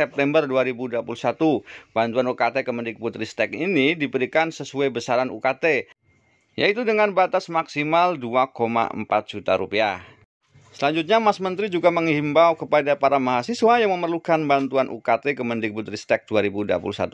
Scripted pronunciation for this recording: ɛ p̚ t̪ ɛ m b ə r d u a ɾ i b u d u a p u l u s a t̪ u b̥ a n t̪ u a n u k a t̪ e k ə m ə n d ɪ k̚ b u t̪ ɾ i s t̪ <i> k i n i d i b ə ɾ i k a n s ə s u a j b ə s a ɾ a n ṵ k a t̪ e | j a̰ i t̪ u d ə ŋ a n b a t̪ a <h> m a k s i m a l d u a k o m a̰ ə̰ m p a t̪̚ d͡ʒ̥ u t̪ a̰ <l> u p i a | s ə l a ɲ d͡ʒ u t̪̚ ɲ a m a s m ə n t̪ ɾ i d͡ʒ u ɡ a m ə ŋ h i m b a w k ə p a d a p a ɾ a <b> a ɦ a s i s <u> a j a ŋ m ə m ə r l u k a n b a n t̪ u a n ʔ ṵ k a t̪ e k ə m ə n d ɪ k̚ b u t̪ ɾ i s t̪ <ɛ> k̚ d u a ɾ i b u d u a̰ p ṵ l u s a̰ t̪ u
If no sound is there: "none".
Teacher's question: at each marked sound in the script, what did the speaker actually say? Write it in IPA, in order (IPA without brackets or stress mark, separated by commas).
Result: ɛ, s, ɾ, m, w, ɛ